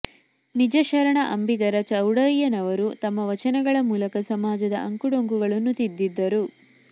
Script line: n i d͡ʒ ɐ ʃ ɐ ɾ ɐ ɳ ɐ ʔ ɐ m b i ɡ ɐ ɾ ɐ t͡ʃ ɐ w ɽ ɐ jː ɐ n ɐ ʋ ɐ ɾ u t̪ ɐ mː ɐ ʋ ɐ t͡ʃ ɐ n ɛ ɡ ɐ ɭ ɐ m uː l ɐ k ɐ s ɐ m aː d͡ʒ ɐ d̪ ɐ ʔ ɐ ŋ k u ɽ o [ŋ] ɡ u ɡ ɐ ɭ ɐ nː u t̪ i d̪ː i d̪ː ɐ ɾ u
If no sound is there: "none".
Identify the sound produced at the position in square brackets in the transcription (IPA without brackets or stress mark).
ŋ